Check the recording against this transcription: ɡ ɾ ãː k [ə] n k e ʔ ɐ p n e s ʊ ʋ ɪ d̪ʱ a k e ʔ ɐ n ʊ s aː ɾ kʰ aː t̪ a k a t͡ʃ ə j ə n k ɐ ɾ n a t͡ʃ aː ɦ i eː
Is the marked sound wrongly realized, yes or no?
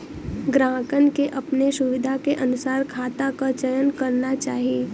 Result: no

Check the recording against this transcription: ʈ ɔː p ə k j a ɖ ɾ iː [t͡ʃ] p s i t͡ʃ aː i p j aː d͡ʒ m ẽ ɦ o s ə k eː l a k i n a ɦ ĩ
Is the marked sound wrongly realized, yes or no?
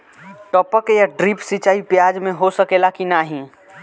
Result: yes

